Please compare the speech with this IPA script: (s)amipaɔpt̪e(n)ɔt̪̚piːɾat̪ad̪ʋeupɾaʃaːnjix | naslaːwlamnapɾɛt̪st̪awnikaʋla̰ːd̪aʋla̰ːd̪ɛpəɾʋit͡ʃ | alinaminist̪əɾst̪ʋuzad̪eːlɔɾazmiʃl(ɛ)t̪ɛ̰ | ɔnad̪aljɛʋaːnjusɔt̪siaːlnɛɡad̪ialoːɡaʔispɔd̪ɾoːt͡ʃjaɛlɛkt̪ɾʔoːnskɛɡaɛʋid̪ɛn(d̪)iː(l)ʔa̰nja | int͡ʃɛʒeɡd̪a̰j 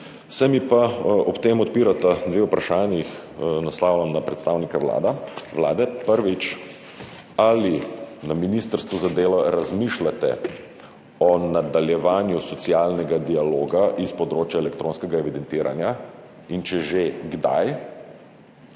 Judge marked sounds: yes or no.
yes, no, no, no, no

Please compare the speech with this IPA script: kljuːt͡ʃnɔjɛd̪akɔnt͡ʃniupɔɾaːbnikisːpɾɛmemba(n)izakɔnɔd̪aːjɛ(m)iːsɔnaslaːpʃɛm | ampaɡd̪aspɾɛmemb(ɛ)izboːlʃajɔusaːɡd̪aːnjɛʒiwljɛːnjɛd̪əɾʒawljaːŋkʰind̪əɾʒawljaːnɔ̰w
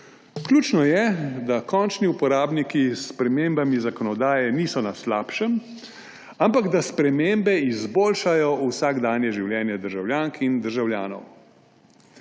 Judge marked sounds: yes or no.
no, no, yes

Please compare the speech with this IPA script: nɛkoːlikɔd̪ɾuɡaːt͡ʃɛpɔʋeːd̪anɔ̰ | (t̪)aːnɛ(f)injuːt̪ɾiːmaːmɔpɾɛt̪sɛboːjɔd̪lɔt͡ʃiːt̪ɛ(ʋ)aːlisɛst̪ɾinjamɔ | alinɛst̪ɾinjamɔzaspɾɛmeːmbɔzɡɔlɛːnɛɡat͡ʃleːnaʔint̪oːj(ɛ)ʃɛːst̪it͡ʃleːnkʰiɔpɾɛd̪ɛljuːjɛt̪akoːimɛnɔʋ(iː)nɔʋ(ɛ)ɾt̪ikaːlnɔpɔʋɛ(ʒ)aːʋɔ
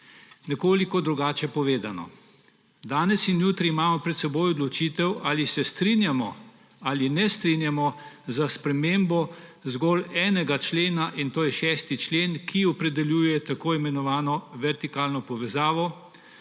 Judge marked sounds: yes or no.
no, no, no, yes, no, yes, no

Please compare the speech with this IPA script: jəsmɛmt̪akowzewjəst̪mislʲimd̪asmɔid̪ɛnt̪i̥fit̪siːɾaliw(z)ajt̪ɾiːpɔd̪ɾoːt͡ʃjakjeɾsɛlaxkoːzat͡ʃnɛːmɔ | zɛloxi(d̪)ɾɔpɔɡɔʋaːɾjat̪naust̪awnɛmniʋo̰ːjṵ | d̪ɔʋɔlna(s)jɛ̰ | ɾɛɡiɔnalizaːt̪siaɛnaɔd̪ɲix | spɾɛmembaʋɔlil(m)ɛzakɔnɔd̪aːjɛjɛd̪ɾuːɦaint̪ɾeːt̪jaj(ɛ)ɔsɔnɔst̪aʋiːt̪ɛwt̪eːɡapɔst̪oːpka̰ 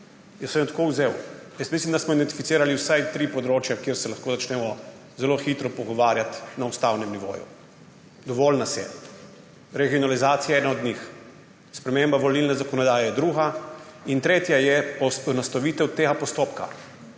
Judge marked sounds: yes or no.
no, no, yes, no, yes

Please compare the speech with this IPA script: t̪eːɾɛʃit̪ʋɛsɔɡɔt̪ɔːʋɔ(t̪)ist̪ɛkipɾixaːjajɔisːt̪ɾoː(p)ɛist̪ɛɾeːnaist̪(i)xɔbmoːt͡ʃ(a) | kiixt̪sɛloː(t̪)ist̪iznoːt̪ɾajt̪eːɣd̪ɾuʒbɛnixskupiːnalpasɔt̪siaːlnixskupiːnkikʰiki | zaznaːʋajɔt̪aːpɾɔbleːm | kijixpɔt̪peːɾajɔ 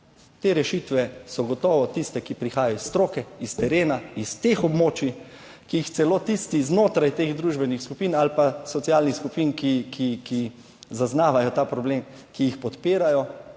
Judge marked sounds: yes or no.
yes, no, no, no, yes

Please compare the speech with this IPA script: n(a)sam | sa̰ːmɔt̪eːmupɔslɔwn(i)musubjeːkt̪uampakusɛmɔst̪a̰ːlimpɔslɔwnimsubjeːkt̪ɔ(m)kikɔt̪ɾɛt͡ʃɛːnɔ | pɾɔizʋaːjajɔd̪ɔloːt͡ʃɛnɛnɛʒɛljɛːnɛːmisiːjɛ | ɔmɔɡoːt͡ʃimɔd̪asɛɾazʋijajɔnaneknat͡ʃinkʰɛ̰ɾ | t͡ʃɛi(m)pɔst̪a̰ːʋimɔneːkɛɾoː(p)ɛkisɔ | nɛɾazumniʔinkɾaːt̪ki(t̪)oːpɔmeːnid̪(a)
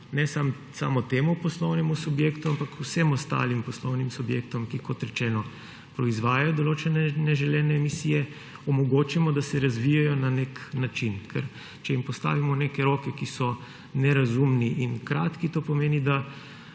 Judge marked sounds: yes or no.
no, no, yes, yes, no, yes, yes

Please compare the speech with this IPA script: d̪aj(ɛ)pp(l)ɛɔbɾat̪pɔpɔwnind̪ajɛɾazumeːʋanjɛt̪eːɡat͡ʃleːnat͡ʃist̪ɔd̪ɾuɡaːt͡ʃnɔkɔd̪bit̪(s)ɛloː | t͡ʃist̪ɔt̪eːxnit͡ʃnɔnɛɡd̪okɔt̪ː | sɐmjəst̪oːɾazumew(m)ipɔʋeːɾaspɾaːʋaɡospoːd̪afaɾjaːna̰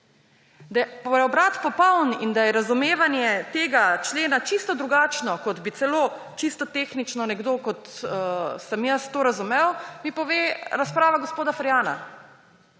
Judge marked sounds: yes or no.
yes, no, yes, yes

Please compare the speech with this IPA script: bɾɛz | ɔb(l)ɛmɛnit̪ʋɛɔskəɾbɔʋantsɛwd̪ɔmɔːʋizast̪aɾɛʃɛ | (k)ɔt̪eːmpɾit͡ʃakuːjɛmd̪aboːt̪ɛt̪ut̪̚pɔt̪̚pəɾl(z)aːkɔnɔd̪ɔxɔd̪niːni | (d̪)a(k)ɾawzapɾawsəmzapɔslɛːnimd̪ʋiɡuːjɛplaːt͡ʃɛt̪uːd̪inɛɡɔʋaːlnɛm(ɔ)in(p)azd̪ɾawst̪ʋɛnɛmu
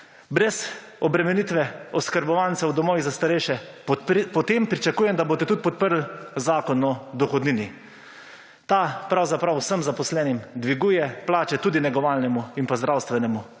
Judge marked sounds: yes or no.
no, no, yes, no, no, no, yes

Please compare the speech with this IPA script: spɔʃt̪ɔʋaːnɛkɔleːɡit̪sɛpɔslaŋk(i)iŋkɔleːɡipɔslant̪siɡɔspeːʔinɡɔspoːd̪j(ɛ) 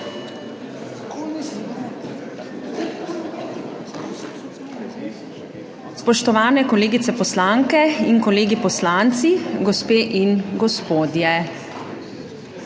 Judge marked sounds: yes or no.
no, yes

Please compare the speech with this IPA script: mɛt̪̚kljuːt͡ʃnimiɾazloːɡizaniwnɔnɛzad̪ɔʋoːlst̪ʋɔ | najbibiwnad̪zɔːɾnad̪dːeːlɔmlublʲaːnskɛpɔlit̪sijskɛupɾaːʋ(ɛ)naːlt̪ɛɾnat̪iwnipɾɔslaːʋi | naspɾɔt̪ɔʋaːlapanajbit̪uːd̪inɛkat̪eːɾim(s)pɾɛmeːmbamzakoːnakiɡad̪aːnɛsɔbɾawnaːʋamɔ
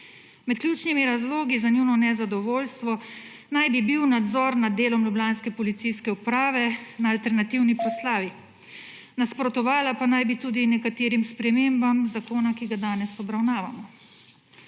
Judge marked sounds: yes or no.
yes, yes

